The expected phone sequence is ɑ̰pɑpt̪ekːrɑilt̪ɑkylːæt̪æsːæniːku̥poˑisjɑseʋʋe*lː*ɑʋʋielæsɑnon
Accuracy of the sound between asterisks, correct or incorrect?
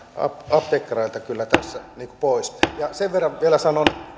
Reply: incorrect: rː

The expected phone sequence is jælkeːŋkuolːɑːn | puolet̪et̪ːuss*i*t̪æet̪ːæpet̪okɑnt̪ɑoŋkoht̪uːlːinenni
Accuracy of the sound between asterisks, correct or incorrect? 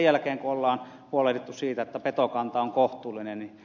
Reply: incorrect: iː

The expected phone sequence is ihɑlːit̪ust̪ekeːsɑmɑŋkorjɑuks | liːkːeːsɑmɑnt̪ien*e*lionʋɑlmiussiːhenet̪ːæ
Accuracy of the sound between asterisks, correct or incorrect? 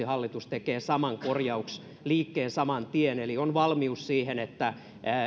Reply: correct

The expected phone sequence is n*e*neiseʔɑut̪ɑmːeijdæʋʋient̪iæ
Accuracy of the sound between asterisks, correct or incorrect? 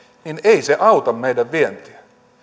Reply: incorrect: i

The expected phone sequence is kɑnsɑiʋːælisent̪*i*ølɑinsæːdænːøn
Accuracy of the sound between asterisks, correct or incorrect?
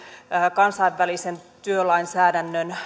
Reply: incorrect: y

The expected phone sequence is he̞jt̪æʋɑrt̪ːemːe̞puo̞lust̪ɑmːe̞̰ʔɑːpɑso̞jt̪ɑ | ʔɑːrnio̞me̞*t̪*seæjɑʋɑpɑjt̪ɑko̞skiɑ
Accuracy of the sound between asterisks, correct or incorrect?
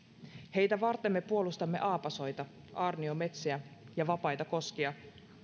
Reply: correct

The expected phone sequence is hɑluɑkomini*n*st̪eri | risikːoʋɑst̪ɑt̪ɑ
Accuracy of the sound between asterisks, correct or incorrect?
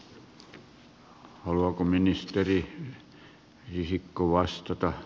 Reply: incorrect: none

